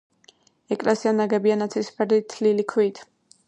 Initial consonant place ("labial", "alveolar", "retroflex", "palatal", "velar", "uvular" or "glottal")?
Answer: velar